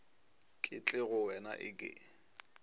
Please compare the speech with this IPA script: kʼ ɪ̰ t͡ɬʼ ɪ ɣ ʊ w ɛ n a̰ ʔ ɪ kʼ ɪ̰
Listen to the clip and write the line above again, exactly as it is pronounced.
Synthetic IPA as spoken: kʼ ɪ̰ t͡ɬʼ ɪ ɣ ʊ w ɛ n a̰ ʔ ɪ kʼ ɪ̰